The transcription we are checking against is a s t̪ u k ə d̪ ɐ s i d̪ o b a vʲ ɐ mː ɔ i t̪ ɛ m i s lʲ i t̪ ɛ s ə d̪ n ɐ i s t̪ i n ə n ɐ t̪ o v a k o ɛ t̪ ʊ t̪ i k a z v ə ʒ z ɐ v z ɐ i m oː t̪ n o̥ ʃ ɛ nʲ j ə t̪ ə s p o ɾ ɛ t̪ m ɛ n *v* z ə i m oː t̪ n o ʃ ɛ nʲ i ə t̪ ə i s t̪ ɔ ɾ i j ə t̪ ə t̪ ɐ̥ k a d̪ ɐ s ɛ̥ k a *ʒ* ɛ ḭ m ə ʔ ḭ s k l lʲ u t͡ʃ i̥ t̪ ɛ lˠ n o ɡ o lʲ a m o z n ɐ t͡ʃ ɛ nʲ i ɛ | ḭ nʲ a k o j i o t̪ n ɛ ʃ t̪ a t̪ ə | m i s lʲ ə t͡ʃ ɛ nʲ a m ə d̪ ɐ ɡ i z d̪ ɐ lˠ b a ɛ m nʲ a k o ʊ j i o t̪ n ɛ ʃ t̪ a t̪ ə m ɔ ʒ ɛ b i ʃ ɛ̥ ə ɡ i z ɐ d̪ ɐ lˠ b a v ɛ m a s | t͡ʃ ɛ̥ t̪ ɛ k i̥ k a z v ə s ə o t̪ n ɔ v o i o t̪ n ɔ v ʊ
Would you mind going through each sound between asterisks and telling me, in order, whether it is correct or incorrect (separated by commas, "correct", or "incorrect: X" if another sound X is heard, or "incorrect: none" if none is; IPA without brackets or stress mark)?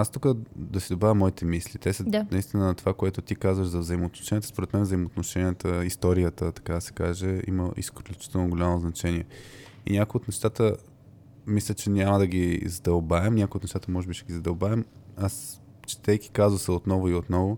correct, correct